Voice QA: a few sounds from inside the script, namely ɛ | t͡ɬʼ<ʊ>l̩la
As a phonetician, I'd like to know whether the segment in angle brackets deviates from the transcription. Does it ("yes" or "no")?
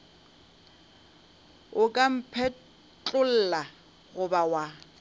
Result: no